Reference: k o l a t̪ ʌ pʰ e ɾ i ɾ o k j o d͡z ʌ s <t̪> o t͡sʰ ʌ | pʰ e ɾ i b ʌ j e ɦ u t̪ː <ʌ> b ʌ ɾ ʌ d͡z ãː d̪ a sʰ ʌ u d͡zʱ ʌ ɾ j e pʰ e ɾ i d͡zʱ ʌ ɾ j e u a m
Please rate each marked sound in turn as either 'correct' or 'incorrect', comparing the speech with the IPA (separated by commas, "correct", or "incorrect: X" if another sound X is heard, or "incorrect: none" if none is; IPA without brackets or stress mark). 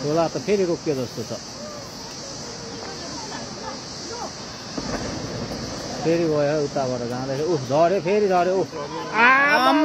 correct, incorrect: a